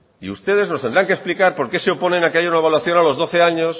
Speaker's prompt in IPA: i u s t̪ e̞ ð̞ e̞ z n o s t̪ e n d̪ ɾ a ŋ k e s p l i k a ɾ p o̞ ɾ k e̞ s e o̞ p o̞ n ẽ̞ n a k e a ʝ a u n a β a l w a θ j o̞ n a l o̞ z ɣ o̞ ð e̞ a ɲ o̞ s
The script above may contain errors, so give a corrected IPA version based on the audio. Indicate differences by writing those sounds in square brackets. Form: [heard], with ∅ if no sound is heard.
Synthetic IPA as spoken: i u s t̪ e̞ ð̞ e̞ z n o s t̪ e n d̪ ɾ a ŋ k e s p l i k a ɾ p o̞ ɾ k e̞ s e o̞ p o̞ n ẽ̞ n a k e a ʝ a u n a β a l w a θ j o̞ n a l o̞ z [ð] o̞ [θ] e̞ a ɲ o̞ s